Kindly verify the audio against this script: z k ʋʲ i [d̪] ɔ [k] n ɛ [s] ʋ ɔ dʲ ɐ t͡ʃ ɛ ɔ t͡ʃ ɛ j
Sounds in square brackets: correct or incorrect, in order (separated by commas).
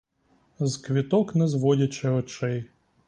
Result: incorrect, correct, incorrect